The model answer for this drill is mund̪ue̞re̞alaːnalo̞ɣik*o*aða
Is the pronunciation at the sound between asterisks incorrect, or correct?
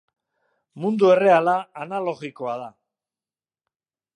correct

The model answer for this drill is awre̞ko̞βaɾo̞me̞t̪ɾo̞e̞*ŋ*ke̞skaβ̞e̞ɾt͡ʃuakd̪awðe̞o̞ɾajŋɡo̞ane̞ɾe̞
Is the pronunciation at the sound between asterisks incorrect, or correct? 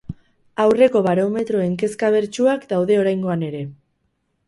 correct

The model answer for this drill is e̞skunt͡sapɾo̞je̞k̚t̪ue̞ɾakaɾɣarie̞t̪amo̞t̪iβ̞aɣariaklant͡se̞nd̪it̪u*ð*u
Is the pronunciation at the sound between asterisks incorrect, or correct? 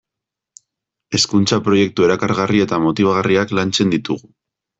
incorrect: ɣ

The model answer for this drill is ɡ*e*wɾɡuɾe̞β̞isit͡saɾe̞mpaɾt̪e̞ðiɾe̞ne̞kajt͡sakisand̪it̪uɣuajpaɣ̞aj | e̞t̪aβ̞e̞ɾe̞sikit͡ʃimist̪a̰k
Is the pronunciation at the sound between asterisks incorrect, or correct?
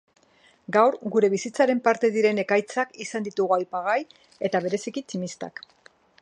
incorrect: a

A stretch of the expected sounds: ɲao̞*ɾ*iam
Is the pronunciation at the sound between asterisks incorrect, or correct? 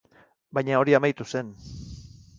correct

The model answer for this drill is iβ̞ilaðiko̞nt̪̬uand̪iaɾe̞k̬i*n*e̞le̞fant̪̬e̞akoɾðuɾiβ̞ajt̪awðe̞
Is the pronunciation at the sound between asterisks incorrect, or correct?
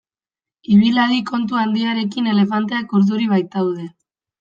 correct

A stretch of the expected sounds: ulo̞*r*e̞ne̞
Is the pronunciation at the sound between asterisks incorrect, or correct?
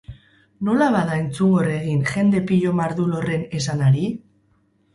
correct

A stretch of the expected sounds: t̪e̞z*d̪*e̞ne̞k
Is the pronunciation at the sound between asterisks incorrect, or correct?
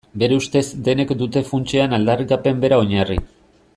correct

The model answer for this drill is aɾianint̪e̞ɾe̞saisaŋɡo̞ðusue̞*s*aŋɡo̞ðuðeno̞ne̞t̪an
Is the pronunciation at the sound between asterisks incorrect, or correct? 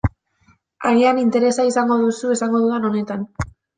correct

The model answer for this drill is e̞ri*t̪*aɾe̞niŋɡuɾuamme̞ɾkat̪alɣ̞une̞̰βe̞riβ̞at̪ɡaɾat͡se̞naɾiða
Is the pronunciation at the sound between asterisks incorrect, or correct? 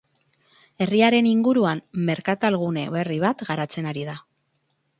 incorrect: none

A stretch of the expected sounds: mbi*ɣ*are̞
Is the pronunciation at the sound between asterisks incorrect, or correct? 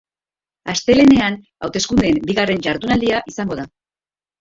correct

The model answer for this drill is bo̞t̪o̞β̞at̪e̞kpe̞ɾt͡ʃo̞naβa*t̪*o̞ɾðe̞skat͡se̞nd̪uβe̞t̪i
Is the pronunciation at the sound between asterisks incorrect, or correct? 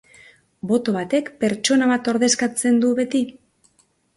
correct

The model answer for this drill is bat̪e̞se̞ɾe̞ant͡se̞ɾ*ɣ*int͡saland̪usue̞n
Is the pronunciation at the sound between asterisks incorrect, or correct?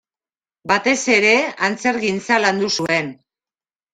correct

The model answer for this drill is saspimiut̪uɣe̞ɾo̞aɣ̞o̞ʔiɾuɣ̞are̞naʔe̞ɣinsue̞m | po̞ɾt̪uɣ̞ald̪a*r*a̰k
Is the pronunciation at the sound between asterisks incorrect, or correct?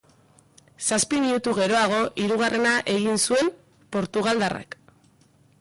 correct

